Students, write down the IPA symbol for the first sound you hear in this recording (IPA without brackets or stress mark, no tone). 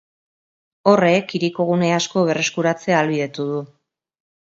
o̞